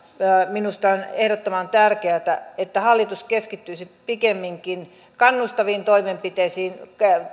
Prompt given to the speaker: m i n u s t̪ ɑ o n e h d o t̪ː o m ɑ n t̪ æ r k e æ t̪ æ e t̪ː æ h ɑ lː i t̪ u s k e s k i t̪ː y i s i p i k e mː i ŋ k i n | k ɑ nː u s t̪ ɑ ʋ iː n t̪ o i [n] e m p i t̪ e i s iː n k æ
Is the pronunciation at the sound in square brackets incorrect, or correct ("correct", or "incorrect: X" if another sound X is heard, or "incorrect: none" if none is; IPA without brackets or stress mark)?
incorrect: m